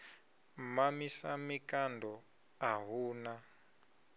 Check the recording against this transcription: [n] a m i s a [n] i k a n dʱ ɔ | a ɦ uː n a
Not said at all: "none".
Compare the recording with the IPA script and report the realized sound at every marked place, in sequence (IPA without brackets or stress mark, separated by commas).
m, m